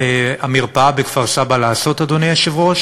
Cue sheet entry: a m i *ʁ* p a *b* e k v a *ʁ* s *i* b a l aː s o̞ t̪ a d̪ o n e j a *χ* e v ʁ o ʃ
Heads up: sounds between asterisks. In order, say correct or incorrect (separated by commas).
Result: correct, correct, correct, incorrect, incorrect